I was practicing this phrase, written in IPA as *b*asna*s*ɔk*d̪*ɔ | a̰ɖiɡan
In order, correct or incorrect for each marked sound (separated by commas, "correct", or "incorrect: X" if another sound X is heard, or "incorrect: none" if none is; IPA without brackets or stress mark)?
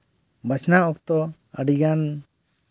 correct, incorrect: none, incorrect: t̪